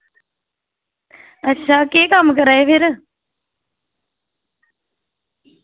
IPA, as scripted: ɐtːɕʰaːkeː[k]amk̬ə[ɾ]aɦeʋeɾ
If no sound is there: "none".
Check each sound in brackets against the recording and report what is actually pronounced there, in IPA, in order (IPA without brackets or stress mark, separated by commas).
k, ɾ